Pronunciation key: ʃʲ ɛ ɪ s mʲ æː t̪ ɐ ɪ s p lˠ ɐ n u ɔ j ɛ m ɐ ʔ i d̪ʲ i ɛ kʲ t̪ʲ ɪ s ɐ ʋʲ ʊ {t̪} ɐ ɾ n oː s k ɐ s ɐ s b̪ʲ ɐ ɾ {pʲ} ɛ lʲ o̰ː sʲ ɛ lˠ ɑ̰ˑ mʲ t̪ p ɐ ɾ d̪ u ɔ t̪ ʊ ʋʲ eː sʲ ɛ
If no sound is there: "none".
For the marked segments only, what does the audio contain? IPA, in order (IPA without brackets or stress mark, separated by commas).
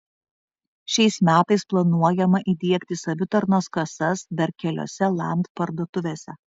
t̪, kʲ